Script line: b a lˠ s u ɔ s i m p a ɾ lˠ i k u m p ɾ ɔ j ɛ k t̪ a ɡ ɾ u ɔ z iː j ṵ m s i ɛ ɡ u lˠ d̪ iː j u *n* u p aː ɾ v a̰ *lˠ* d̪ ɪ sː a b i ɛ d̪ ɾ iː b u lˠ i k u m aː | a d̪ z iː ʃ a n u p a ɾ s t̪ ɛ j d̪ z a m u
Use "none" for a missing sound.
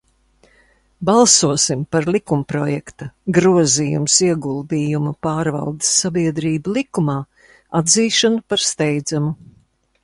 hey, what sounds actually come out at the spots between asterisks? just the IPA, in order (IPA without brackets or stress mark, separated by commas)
m, lˠ